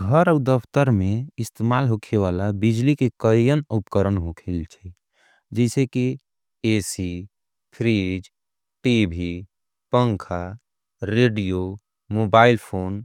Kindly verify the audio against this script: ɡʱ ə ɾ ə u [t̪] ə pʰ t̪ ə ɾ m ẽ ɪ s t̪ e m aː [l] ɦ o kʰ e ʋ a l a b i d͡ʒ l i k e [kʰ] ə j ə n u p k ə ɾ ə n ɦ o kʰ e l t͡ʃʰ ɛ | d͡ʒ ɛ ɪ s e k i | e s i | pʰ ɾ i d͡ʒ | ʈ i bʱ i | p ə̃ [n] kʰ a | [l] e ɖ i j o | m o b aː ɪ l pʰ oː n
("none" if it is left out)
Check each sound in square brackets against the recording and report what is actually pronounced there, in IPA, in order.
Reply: d̪, l, k, ŋ, ɾ

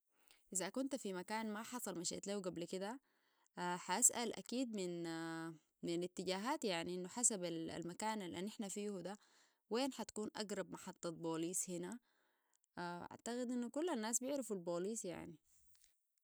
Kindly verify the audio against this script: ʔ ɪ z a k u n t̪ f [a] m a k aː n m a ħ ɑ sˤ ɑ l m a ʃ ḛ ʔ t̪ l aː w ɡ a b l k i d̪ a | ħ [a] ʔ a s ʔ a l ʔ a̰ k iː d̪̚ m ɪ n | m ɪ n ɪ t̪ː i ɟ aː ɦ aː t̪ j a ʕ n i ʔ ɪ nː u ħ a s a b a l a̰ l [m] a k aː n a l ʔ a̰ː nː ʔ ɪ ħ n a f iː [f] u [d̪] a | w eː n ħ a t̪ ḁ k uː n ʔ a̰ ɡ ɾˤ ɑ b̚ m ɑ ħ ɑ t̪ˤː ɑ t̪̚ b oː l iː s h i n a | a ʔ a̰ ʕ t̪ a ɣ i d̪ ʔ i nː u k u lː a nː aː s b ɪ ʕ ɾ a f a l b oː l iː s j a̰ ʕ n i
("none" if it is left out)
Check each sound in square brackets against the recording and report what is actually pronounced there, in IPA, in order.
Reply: i, a, m, h, d̪

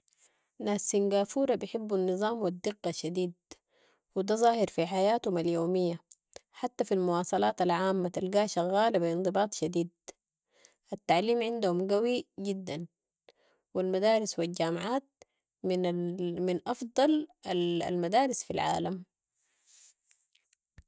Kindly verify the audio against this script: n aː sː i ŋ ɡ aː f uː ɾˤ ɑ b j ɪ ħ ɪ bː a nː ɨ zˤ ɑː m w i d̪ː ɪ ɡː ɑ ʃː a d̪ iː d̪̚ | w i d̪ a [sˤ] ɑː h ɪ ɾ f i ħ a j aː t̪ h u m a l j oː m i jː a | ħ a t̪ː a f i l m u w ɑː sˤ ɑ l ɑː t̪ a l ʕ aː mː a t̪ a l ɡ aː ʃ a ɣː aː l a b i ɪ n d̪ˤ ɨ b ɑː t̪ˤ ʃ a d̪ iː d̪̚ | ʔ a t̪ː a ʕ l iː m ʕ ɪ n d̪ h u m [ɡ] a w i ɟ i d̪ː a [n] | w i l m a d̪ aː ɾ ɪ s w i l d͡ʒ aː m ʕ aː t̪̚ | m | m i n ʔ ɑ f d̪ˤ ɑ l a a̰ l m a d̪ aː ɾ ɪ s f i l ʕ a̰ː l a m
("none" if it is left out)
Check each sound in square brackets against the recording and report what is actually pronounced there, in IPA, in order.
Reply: zˤ, ɡ, n

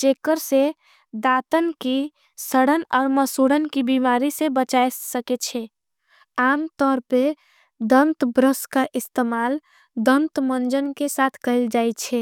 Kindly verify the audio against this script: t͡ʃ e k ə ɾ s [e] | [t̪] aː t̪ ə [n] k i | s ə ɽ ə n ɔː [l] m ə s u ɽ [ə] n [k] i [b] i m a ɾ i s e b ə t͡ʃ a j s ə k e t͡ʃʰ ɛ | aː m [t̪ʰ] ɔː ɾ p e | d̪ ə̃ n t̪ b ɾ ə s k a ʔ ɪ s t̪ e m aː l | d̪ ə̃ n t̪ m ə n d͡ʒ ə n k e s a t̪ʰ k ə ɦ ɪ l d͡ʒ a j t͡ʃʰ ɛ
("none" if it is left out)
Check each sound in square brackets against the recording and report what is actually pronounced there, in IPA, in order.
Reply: e, d̪, n, ɾ, ə, k, b, t̪

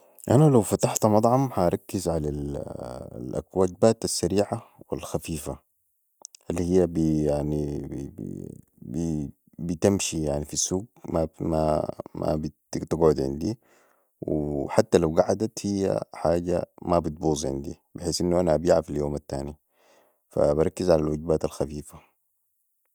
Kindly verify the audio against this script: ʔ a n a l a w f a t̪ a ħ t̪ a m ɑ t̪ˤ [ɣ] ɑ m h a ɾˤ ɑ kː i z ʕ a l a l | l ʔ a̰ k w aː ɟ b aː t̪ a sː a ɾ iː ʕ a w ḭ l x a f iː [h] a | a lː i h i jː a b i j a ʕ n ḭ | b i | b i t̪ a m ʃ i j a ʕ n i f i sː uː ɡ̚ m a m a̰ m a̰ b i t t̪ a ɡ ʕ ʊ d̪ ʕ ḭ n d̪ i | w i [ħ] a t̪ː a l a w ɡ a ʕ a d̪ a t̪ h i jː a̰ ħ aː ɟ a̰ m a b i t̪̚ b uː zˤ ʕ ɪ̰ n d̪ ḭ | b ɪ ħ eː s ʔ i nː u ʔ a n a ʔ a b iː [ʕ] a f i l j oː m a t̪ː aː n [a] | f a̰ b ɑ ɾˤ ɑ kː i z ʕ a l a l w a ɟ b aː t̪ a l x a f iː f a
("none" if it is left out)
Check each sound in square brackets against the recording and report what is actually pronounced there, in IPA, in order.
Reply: ʕ, f, ħ, ʕ, i

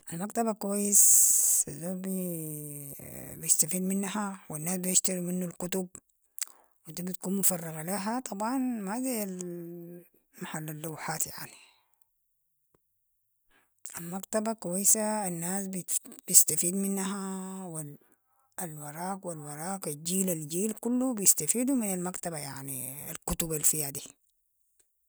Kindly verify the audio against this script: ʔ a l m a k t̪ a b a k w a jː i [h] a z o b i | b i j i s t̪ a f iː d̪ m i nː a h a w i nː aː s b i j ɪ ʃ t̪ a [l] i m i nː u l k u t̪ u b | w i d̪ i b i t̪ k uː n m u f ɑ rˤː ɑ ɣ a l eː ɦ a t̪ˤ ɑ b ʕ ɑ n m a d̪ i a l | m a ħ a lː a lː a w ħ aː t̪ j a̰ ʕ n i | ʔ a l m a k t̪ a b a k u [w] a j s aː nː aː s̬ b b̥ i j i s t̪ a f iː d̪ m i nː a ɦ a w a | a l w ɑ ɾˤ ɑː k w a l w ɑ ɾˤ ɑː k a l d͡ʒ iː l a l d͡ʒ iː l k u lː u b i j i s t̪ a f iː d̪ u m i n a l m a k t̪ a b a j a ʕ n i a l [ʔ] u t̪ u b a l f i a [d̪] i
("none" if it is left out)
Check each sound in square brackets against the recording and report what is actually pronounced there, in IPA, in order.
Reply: s, ɾ, w, k, d̪

